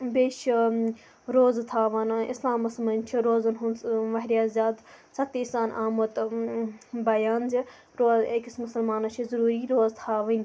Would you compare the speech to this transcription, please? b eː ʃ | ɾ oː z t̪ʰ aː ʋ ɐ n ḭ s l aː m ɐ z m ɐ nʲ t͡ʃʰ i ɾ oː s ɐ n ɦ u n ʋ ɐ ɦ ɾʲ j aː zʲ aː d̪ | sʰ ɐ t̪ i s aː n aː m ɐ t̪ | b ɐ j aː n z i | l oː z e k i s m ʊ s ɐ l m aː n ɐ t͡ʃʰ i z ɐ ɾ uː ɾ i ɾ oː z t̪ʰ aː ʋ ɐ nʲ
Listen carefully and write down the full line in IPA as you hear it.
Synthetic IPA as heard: b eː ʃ | ɾ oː z t̪ʰ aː ʋ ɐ n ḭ s l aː m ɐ s m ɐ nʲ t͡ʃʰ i ɾ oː z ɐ n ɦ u n ʋ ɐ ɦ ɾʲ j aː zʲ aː d̪ | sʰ ɐ t̪ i s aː n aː m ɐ t̪ | b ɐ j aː n z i | ɾ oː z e k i s m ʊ s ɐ l m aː n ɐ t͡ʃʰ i z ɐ ɾ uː ɾ i ɾ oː z t̪ʰ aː ʋ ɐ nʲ